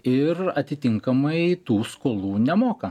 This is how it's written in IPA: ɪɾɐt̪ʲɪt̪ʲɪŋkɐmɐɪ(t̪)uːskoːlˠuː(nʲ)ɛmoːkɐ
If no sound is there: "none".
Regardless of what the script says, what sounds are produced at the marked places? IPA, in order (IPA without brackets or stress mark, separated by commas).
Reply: t̪, nʲ